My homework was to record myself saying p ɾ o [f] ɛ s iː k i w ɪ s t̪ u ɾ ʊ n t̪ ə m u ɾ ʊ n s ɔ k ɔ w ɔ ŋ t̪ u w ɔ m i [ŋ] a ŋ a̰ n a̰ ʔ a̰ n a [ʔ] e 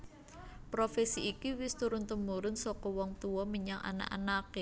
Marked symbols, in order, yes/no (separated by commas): yes, no, no